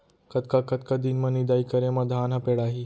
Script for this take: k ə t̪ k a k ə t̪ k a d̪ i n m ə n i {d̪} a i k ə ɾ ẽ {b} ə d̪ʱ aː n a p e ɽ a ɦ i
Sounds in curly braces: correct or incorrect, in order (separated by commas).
correct, incorrect